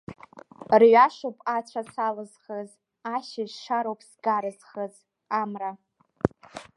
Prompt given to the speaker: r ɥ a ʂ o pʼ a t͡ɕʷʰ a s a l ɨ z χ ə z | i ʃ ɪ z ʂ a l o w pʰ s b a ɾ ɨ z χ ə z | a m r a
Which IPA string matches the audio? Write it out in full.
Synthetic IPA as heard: r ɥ a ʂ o pʼ a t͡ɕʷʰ a s a l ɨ z χ ə z | a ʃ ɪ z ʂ a ɾ o w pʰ s ɡ a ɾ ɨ z χ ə z | a m r a